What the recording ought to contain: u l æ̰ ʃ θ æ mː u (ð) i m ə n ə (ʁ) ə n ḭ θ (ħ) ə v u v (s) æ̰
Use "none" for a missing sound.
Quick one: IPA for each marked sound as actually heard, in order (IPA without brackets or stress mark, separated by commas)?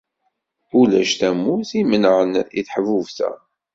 θ, ʕ, ħ, θ